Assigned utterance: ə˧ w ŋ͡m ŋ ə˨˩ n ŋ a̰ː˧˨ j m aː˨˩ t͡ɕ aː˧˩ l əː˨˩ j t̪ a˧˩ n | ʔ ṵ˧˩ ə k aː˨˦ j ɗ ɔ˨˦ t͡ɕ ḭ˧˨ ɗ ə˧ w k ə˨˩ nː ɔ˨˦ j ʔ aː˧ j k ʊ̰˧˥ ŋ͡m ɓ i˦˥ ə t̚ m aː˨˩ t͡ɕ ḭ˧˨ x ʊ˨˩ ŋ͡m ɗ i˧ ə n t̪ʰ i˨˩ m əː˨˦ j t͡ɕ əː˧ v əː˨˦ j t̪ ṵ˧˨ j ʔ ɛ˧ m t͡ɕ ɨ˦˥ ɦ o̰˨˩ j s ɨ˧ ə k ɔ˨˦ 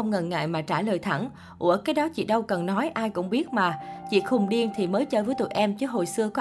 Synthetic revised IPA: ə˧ w ŋ͡m ŋ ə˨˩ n ŋ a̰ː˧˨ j m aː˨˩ t͡ɕ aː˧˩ l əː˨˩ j t̪ʰ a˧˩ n | ʔ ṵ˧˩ ə k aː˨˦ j ɗ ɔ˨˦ t͡ɕ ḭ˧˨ ɗ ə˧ w k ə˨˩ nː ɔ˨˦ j ʔ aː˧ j k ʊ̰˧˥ ŋ͡m ɓ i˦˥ ə t̚ m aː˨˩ t͡ɕ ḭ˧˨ x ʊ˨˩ ŋ͡m ɗ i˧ ə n t̪ʰ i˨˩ m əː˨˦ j t͡ɕ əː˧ v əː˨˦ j t̪ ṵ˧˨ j ʔ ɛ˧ m t͡ɕ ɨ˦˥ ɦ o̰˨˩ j s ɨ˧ ə k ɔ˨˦